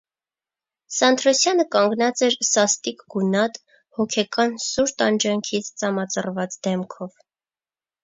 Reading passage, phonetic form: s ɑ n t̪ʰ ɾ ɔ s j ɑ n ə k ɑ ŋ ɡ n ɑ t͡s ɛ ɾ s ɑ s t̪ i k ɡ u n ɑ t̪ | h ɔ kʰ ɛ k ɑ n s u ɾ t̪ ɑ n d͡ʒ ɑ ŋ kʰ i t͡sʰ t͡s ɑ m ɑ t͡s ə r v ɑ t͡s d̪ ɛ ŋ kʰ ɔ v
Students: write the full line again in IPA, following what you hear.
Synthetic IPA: s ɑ n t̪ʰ ɾ ɔ s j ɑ n ə k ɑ ŋ ɡ n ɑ t͡s ɛ ɾ s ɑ s t̪ i k ɡ u n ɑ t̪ | h ɔ kʰ ɛ k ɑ n s u ɾ t̪ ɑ n d͡ʒ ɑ ŋ kʰ i t͡sʰ t͡s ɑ m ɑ t͡s ə r v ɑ t͡s d̪ ɛ m kʰ ɔ v